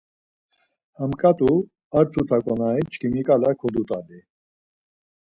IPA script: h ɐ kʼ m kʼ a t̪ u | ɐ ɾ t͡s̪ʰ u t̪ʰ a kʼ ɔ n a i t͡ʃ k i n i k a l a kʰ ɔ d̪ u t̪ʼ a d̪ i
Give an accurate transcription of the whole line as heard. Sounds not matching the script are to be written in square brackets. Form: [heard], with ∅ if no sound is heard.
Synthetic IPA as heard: h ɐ [∅] m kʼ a t̪ u | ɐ ɾ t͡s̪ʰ u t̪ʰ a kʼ ɔ n a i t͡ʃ k i [m] i k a l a kʰ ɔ d̪ u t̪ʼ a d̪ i